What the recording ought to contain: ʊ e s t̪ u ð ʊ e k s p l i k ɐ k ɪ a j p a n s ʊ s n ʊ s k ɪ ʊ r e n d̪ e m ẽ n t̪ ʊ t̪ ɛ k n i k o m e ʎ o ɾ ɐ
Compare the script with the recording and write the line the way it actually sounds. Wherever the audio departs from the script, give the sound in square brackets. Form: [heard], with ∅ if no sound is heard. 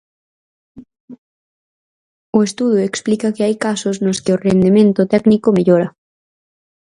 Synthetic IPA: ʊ e s t̪ u ð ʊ e k s p l i k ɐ k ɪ a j [k] a [∅] s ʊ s n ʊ s k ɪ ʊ r e n d̪ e m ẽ n t̪ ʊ t̪ ɛ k n i k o m e ʎ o ɾ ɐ